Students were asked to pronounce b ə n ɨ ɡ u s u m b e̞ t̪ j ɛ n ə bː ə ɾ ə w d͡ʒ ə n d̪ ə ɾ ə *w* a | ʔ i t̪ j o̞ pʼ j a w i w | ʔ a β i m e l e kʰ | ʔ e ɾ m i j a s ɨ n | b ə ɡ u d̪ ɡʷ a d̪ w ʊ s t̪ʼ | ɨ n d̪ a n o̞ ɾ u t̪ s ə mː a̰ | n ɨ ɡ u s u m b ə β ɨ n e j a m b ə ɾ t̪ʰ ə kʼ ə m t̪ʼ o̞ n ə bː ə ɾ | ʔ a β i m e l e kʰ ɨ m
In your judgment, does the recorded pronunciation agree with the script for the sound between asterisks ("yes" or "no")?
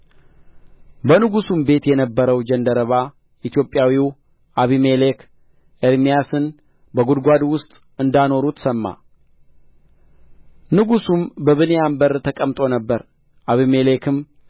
no